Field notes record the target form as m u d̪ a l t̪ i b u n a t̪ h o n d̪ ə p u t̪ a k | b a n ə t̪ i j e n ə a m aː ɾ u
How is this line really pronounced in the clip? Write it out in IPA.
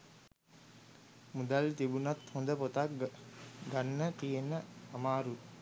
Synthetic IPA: m u d̪ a l t̪ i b u n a t̪ h o n d̪ ə p o t̪ a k | ɡ a nː ə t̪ i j e n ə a m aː ɾ u